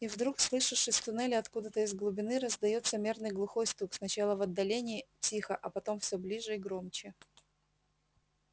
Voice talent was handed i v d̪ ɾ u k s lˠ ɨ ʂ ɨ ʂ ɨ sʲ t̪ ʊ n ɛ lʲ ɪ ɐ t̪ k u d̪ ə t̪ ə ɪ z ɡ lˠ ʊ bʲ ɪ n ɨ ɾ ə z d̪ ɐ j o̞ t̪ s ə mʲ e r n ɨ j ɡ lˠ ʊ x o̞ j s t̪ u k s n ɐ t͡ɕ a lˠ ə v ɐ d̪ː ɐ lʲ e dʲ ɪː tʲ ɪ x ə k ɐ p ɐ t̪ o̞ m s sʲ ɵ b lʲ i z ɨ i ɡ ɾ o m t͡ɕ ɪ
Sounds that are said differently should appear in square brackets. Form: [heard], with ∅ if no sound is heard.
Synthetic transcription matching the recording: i v d̪ ɾ u k s lˠ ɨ ʂ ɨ ʂ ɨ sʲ t̪ ʊ n ɛ lʲ ɪ ɐ t̪ k u d̪ ə t̪ ə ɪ z ɡ lˠ ʊ bʲ ɪ n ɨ ɾ ə z d̪ ɐ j o̞ t̪ s ə mʲ e r n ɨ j ɡ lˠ ʊ x o̞ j s t̪ u k s n ɐ t͡ɕ a lˠ ə v ɐ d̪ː ɐ lʲ e [nʲ] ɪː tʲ [i] x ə [ʔ] ɐ p ɐ t̪ o̞ m [f] sʲ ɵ b lʲ i [ʐ] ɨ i ɡ ɾ o m t͡ɕ ɪ